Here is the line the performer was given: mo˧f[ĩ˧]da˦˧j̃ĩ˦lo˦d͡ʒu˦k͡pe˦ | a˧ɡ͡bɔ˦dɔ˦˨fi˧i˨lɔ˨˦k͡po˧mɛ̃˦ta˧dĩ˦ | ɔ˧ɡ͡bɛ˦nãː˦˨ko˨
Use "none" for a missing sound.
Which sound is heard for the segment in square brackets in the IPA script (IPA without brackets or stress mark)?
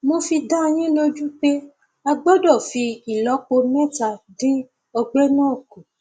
i˧